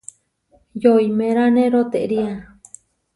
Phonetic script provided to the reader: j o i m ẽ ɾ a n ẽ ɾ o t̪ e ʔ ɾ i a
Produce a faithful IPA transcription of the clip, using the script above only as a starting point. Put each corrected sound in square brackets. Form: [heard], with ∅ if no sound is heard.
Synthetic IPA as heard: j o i m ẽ ɾ a n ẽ ɾ o t̪ e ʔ ɾ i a